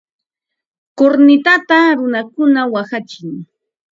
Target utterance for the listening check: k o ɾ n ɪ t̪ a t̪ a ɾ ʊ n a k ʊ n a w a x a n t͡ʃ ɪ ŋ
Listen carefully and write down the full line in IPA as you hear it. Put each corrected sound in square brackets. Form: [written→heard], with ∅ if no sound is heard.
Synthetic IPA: k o ɾ n ɪ t̪ a t̪ a ɾ ʊ n a k ʊ n a w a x a [n→∅] t͡ʃ ɪ ŋ